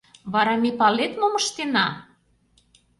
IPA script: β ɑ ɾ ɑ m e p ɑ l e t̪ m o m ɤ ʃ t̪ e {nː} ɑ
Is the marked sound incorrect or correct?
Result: incorrect